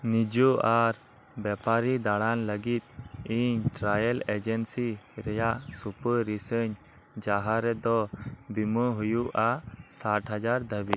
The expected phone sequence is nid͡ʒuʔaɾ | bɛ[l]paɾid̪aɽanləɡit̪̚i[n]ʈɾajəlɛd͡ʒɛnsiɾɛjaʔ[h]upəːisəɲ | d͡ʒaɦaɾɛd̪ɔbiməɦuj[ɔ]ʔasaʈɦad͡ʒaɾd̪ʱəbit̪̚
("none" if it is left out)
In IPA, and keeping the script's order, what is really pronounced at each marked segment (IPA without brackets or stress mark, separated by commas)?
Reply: none, ɲ, s, u